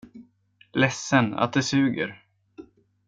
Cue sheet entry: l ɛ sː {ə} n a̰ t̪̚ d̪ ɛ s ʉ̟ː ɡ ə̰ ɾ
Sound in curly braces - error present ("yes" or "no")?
no